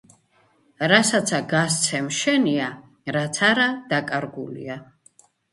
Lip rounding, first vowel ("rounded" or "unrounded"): unrounded